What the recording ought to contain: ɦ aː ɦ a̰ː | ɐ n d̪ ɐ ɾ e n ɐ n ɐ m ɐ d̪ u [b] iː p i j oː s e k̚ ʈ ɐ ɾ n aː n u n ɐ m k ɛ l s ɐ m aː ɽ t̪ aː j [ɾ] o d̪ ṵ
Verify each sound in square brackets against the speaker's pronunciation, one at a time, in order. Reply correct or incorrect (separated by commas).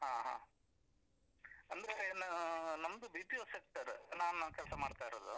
correct, correct